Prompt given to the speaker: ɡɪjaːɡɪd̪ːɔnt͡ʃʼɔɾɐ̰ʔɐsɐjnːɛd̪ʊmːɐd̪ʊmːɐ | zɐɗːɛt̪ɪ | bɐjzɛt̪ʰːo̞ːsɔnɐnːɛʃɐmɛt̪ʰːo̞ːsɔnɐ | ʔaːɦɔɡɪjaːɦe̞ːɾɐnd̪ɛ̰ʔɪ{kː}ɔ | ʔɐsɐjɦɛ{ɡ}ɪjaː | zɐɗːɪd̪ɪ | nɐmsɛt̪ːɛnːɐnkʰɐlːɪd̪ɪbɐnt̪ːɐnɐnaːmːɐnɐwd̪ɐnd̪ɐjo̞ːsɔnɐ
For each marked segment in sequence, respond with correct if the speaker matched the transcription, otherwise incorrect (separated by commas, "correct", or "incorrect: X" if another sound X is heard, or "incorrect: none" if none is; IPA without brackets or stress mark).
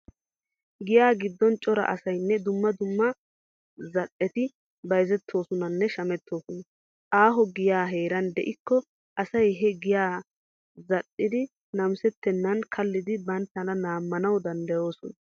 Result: correct, correct